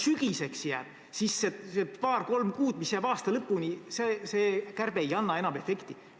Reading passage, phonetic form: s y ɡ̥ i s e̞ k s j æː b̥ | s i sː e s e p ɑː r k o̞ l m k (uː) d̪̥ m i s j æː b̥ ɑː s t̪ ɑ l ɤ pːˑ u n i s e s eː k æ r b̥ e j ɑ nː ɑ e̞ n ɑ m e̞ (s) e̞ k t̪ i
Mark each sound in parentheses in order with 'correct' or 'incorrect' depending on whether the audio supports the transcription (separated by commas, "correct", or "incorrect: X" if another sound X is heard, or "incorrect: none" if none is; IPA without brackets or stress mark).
correct, incorrect: f